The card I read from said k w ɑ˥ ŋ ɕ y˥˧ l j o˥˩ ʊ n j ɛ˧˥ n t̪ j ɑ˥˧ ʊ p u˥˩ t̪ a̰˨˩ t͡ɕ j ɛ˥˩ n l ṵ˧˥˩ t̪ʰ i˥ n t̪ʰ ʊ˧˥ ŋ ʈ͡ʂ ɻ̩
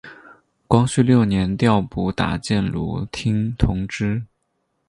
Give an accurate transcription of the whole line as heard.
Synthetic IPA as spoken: k w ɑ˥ ŋ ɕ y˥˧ l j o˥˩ ʊ n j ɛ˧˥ n t̪ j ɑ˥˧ ʊ p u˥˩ t̪ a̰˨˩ t͡ɕ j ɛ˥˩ n l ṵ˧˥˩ t̪ʰ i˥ ŋ t̪ʰ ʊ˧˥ ŋ ʈ͡ʂ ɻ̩